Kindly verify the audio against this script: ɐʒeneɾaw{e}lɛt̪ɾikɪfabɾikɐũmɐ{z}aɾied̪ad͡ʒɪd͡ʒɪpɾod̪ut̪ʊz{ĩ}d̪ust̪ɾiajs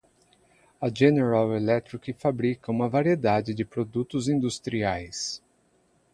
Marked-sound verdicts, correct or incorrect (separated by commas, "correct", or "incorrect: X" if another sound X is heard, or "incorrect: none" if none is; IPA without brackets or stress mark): correct, incorrect: v, correct